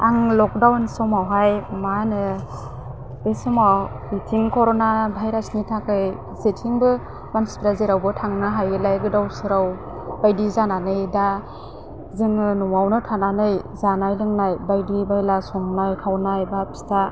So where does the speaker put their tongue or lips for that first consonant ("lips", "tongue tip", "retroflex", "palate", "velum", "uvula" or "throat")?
velum